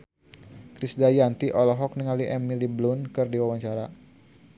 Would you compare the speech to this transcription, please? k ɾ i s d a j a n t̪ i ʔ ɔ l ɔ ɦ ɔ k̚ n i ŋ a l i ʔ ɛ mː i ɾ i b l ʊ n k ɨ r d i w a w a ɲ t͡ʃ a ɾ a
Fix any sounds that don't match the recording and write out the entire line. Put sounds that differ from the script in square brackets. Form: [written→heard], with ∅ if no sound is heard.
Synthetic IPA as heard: k ɾ i s d a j a n t̪ i ʔ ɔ l ɔ ɦ ɔ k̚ n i ŋ a l i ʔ ɛ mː i [ɾ→l] i b l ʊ n k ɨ r d i w a w a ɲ t͡ʃ a ɾ a